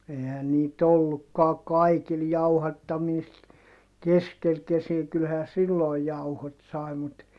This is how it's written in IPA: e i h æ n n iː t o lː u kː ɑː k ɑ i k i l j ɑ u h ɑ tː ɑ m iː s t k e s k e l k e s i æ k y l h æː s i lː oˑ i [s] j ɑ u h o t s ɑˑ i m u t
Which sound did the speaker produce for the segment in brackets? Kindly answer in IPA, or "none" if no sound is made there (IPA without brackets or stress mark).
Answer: none